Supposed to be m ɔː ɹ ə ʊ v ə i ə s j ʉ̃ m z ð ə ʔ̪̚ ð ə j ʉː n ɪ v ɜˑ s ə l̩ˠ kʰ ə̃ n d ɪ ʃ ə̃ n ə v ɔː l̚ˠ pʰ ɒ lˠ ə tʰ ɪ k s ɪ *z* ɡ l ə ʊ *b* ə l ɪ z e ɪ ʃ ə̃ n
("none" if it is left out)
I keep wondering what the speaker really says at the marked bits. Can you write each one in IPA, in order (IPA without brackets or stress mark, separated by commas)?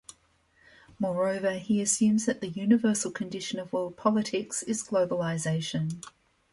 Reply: z, b